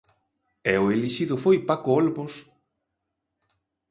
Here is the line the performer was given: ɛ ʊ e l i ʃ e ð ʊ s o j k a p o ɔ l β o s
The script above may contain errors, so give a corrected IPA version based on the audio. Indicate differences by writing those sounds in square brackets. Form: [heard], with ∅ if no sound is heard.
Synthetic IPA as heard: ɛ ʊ e l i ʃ [i] ð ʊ [f] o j [p] a [k] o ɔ l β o s